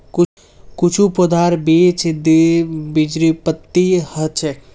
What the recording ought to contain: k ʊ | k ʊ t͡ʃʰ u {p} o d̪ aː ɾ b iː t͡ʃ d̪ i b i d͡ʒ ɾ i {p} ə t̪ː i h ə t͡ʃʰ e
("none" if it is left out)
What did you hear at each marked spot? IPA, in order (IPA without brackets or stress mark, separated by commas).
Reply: p, p